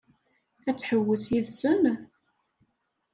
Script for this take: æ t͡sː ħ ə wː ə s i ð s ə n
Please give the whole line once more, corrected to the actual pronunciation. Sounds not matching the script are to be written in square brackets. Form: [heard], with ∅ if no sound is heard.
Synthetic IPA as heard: æ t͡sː ħ ə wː ə s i ð s ə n